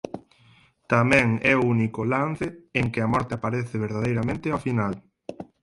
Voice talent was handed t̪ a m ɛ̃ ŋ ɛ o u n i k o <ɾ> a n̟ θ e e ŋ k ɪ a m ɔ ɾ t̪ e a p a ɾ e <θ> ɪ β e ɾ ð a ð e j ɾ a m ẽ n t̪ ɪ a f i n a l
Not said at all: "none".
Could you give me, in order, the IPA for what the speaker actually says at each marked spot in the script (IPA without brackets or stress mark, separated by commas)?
l, θ